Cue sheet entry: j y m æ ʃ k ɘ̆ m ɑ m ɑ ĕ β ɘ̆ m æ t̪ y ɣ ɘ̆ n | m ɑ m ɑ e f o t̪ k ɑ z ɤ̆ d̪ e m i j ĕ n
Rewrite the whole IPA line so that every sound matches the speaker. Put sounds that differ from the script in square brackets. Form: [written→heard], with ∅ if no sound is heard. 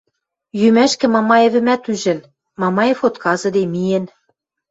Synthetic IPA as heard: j y m æ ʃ k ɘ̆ m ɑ m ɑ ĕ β ɘ̆ m æ t̪ y [ɣ→ʒ] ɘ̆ n | m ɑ m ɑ e f o t̪ k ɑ z ɤ̆ d̪ e m i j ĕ n

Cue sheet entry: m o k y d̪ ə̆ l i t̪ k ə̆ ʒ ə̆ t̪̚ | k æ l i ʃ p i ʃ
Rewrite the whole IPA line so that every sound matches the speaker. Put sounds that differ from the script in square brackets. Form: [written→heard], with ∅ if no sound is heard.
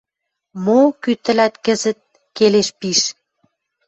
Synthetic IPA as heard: m o k y [d̪→t̪] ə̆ l [i→æ] t̪ k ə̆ [ʒ→z] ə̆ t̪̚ | k [æ→e] l [i→e] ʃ p i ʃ

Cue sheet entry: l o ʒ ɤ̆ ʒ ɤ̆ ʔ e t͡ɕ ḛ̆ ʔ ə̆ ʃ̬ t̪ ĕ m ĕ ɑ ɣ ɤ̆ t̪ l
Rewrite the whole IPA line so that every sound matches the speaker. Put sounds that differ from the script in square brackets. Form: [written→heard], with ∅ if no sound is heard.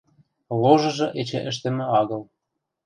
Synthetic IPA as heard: l o ʒ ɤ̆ ʒ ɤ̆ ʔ e t͡ɕ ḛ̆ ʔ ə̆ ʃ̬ t̪ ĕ m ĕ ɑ ɣ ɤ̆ [t̪→∅] l

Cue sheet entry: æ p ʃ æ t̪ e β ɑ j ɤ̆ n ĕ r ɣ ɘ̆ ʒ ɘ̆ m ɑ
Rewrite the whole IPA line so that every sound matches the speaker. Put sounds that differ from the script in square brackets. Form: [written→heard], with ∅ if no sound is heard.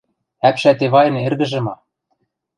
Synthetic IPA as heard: æ p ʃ æ t̪ e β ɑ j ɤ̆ n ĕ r ɣ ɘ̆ ʒ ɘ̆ m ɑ

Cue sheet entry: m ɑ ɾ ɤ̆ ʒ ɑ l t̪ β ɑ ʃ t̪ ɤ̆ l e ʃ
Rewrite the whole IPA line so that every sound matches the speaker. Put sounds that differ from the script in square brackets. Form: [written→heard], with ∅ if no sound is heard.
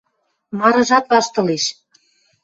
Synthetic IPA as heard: m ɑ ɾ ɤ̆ ʒ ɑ [l→∅] t̪ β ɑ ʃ t̪ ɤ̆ l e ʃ

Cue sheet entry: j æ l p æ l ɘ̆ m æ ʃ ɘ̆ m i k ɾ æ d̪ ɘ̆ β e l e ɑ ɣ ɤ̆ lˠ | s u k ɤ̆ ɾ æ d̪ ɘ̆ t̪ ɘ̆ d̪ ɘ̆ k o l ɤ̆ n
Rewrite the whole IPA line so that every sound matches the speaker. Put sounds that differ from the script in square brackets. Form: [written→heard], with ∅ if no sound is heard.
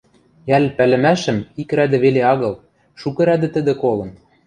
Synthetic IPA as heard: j æ l p æ l ɘ̆ m æ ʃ ɘ̆ m i k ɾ æ d̪ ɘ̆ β e l e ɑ ɣ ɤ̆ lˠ | [s→ʃ] u k ɤ̆ ɾ æ d̪ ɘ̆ t̪ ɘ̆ d̪ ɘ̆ k o l ɤ̆ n

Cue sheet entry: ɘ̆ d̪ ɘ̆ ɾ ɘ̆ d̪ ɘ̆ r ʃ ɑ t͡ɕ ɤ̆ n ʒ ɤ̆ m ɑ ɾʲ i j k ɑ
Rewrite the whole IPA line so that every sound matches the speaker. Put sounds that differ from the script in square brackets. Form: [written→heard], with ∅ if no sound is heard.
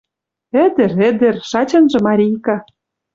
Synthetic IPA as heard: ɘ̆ d̪ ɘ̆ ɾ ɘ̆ d̪ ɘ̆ r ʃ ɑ t͡ɕ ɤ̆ n ʒ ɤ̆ m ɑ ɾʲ i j k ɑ

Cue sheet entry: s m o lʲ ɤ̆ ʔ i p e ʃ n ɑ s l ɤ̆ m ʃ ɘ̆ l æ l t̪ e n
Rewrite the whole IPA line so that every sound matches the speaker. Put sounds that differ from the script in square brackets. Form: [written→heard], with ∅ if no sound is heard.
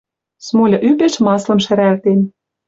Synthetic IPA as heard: s m o lʲ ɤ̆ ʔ [i→y] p e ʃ [n→m] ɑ s l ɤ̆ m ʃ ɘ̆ [l→ɾ] æ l t̪ e n

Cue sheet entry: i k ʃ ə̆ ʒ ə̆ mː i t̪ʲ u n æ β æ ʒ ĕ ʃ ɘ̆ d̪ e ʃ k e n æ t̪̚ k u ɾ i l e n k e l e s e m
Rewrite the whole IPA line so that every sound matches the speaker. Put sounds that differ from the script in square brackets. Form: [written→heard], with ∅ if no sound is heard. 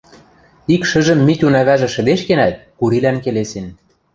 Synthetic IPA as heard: i k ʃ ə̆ ʒ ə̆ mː i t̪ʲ u n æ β æ ʒ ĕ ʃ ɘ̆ d̪ e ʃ k e n æ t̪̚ k u ɾ i l [e→æ] n k e l e s e [m→n]

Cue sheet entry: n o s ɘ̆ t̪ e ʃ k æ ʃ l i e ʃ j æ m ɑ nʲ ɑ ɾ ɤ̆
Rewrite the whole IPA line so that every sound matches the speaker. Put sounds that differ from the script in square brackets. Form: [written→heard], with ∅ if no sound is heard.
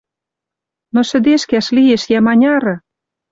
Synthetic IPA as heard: n o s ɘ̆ [t̪→d̪] e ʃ k æ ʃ l i e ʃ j æ m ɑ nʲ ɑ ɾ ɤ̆

